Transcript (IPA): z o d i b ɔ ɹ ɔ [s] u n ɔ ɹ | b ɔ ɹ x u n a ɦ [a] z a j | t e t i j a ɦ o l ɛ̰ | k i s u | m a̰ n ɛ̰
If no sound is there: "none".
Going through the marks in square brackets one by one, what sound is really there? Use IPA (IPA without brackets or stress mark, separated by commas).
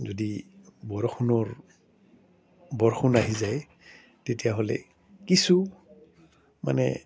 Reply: x, i